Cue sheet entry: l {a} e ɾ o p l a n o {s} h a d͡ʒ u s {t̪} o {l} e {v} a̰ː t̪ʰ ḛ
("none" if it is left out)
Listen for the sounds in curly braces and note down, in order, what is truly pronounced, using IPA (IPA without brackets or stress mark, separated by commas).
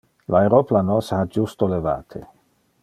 a, s, t̪, l, v